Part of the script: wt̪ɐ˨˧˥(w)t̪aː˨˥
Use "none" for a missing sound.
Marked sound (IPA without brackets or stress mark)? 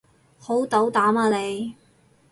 w